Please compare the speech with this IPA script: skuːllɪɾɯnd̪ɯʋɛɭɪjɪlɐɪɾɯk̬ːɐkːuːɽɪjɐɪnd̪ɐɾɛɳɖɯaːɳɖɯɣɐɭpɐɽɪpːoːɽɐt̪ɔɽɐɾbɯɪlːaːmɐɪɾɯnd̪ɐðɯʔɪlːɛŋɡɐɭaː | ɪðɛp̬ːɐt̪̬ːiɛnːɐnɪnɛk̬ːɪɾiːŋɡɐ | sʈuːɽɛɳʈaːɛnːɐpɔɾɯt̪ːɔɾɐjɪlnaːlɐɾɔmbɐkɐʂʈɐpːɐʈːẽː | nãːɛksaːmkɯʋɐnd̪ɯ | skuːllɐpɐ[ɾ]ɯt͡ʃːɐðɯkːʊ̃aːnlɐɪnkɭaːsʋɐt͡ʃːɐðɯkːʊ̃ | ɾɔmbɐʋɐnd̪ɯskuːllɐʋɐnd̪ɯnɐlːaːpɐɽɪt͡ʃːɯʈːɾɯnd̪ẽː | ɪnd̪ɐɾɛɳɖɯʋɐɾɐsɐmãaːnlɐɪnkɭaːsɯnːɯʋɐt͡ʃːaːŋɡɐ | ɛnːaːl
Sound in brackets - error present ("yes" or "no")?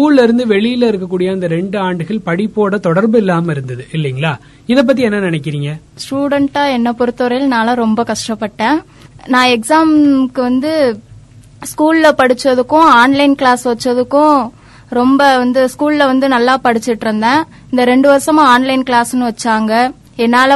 yes